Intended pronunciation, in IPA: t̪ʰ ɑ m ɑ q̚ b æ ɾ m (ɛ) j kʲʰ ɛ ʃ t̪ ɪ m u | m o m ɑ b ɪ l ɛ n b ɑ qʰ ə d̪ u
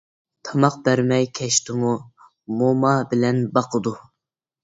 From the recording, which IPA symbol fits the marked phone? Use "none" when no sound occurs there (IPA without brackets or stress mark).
ɛ